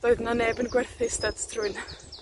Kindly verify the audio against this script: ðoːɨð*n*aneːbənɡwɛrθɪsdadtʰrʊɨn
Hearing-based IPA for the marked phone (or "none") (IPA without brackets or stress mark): n